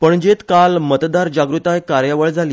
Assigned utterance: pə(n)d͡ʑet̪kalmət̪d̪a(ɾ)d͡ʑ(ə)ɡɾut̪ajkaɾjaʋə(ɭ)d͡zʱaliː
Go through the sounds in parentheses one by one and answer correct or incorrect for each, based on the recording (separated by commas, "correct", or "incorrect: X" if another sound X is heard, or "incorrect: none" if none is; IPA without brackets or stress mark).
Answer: incorrect: ɳ, correct, incorrect: a, correct